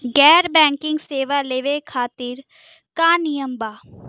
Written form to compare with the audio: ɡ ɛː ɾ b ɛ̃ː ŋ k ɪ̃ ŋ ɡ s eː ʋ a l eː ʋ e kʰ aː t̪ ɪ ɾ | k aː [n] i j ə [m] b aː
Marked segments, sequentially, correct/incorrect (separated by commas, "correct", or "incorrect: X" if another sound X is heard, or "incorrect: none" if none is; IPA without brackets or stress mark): correct, correct